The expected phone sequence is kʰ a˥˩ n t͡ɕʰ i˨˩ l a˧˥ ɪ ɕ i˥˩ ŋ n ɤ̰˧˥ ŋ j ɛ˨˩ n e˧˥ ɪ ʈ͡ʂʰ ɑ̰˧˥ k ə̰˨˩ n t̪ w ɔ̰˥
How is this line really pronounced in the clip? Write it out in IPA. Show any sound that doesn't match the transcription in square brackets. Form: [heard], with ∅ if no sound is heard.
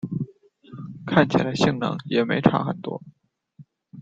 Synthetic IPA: kʰ a˥˩ n t͡ɕʰ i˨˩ l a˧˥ ɪ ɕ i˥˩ ŋ n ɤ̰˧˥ ŋ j ɛ˨˩ [m] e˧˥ ɪ ʈ͡ʂʰ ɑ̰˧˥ [x] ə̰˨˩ n t̪ w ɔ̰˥